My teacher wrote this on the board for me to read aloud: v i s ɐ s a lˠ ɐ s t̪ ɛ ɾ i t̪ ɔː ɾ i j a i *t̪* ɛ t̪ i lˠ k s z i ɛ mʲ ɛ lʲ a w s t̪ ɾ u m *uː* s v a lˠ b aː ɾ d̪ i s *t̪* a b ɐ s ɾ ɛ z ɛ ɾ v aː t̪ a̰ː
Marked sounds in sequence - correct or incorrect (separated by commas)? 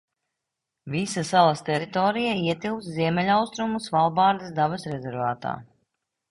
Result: incorrect, incorrect, incorrect